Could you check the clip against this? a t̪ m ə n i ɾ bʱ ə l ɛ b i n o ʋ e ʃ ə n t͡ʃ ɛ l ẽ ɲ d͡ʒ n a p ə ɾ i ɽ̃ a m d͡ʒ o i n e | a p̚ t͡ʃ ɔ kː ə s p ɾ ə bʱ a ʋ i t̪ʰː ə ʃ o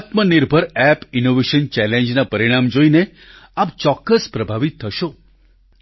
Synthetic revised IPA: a t̪ m ə n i ɾ bʱ ə ɾ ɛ p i n o ʋ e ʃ ə n t͡ʃ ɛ l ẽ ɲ d͡ʒ n a p ə ɾ i ɽ̃ a m d͡ʒ o i n e | a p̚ t͡ʃ ɔ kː ə s p ɾ ə bʱ a ʋ i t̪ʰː ə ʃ o